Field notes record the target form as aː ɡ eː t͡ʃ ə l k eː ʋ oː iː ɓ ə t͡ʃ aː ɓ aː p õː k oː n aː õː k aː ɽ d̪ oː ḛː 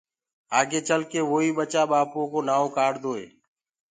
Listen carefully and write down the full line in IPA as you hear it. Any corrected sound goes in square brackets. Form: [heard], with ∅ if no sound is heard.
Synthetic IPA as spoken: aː ɡ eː t͡ʃ ə l k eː ʋ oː iː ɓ ə t͡ʃ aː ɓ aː p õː k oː n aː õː k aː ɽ d̪ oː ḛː